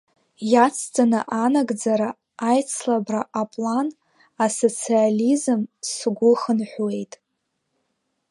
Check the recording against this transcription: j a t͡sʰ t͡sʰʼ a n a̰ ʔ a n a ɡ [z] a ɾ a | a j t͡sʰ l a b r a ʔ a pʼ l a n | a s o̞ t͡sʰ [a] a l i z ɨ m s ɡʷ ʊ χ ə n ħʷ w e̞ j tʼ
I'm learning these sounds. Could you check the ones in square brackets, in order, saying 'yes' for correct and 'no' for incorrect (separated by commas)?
no, no